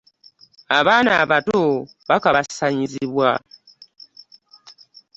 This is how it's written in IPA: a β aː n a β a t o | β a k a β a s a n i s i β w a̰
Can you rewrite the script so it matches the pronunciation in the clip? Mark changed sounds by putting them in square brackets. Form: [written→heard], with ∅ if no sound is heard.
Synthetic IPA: a β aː n a β a t o | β a k a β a s a [n→ɲ] i [s→z] i β w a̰

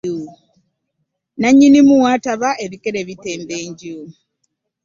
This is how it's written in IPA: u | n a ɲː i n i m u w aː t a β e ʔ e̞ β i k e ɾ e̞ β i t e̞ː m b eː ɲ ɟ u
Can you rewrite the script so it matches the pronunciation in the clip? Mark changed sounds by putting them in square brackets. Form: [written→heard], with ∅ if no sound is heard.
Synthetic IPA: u | n a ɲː i n i m u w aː t a β [e→a] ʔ e̞ β i k e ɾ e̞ β i t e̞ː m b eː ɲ ɟ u

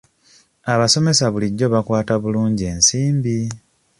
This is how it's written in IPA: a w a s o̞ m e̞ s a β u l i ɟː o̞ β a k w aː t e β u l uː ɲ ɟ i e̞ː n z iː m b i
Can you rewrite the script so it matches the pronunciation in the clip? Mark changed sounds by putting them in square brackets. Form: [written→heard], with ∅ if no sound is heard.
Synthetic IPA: a [w→β] a s o̞ m e̞ s a β u l i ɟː o̞ β a k w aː t [e→a] β u l uː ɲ ɟ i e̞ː n [z→s] iː m b i

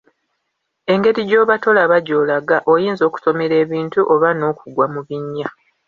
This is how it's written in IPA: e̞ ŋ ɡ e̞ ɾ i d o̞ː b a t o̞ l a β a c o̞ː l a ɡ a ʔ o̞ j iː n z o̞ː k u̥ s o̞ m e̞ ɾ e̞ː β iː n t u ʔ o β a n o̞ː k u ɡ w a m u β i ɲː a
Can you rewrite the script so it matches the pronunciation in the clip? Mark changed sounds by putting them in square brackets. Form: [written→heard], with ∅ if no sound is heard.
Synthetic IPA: e̞ ŋ ɡ e̞ ɾ i [d→ɟ] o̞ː [b→β] a t o̞ l a β a [c→ɟ] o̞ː l a ɡ a ʔ o̞ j iː n z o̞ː k u̥ s o̞ m e̞ ɾ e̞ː β iː n t u ʔ o β a n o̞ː k u ɡ w a m u β i ɲː a

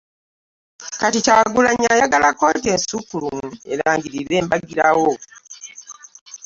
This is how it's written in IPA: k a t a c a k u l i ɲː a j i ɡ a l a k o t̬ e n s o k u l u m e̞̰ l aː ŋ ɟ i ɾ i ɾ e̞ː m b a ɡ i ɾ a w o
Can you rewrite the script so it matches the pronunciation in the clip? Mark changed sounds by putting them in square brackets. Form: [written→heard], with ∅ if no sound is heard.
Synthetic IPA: k a t [a→i] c a [k→ɡ] u l [i→a] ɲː a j [i→a] ɡ a l a k o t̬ e n s [o→u] k u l u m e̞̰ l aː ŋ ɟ i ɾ i ɾ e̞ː m b a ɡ i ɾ a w o

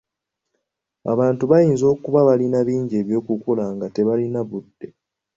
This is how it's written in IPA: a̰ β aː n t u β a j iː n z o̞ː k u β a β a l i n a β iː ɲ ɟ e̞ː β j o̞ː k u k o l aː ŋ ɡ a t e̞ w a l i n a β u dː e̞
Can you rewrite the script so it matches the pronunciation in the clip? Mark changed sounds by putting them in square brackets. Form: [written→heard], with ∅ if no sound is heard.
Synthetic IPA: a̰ β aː n t u β a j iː n z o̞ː k u β a β a l i n a β iː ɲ ɟ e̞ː β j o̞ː k u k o l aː ŋ ɡ a t e̞ [w→β] a l i n a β u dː e̞

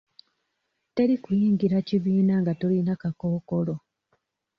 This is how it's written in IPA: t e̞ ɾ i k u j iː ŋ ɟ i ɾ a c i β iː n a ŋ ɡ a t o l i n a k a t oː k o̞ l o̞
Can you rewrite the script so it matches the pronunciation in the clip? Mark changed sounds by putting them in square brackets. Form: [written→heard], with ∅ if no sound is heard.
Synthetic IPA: t e̞ ɾ i k u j iː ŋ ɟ i ɾ a c i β iː n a ŋ ɡ a t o l i n a k a [t→k] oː k o̞ l o̞

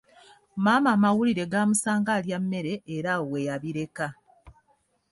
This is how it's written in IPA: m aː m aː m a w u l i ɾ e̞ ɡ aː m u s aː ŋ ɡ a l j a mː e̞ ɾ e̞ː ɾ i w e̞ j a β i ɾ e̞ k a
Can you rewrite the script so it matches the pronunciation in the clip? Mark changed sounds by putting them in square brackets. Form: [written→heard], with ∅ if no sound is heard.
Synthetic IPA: m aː m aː m a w u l i ɾ e̞ ɡ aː m u s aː ŋ ɡ a l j a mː e̞ ɾ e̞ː ɾ [i→a] w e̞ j a β i ɾ e̞ k a

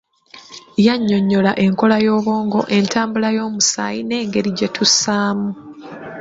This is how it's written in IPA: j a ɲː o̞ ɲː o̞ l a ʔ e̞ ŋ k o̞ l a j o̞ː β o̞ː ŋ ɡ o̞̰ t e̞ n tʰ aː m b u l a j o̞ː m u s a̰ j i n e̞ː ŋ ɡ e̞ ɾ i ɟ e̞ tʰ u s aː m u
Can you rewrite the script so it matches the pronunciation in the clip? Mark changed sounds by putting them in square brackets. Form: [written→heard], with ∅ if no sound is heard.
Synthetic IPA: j a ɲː o̞ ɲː o̞ l a ʔ e̞ ŋ k o̞ l a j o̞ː β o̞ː ŋ ɡ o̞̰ [t→ʔ] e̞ n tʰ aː m b u l a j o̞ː m u s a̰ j i n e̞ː ŋ ɡ e̞ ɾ i ɟ e̞ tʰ u s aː m u

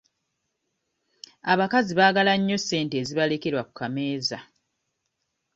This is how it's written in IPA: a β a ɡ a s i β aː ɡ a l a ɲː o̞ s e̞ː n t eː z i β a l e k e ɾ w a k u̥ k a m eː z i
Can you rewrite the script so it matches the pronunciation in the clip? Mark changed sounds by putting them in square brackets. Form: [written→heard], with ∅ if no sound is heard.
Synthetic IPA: a β a [ɡ→k] a [s→z] i β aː ɡ a l a ɲː o̞ s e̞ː n t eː z i β a l e k e ɾ w a k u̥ k a m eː z [i→a]

